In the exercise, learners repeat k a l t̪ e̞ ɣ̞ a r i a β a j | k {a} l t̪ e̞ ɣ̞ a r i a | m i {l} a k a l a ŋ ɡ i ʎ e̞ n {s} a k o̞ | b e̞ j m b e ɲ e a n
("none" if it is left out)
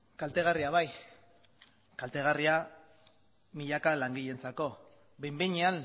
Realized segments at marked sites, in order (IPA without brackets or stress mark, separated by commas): a, ʎ, t͡s